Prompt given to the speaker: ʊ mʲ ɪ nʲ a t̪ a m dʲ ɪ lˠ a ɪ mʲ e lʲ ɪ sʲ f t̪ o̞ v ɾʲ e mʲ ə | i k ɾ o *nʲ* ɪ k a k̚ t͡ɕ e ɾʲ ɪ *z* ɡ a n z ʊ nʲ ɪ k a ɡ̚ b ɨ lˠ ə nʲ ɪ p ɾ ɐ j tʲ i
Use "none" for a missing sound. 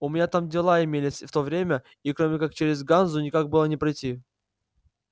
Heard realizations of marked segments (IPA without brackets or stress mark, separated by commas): mʲ, z